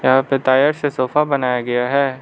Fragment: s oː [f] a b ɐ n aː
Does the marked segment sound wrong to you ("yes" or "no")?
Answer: no